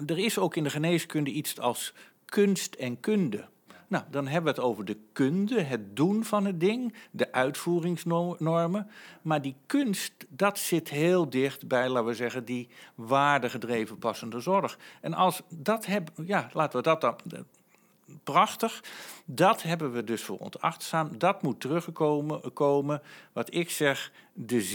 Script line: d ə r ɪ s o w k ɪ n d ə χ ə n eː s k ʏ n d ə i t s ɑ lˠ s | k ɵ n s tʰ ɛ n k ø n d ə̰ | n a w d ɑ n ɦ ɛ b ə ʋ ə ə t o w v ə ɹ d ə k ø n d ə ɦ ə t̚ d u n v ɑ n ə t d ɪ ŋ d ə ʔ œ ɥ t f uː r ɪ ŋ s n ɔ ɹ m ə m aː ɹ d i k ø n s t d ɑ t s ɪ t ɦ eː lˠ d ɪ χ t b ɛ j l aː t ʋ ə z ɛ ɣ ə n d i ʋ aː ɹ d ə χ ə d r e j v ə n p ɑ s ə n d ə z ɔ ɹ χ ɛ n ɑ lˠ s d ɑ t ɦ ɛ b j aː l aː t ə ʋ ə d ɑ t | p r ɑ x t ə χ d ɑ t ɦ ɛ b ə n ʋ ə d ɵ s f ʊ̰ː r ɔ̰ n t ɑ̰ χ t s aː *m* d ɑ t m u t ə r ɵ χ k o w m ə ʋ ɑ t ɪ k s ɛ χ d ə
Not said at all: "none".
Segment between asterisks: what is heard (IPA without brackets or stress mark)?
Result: m